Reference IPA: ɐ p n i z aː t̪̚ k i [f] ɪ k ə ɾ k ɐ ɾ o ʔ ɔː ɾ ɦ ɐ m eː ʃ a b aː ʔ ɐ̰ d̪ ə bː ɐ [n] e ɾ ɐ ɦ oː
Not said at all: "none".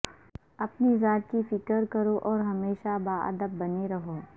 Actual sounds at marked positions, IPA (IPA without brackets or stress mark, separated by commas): f, n